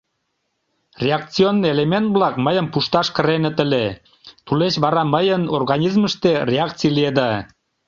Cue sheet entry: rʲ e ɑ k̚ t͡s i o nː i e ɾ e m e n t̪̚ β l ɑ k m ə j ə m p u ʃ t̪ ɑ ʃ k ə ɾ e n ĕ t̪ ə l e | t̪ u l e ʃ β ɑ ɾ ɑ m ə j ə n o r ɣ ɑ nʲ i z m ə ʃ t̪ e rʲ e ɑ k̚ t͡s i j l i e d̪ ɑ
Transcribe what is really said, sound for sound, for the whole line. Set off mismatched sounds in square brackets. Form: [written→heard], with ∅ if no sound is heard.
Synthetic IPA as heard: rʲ e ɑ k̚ t͡s i o nː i e [ɾ→l] e m e n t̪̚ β l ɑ k m ə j ə m p u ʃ t̪ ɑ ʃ k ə ɾ e n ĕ t̪ ə l e | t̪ u l e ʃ β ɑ ɾ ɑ m ə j ə n o r ɣ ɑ nʲ i z m ə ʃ t̪ e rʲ e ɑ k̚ t͡s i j l i e d̪ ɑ